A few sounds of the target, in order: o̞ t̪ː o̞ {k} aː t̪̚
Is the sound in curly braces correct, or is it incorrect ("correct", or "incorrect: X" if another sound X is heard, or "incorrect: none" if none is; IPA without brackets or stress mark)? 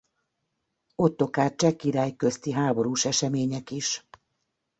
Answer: correct